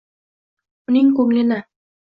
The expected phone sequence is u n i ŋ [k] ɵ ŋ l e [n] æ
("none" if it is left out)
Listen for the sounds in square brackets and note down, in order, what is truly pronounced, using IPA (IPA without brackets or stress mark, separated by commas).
k, n